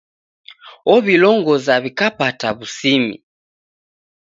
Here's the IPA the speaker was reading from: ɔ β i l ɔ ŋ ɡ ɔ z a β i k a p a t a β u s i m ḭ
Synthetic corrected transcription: ɔ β i l ɔ ŋ ɡ ɔ z a β i k a p a t a β u s i m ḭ

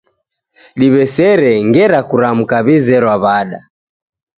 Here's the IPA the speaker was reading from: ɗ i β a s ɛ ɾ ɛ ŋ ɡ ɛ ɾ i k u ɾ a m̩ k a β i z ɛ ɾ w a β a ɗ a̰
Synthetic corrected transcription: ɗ i β ɛ s ɛ ɾ ɛ ŋ ɡ ɛ ɾ a k u ɾ a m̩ k a β i z ɛ ɾ w a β a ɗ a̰

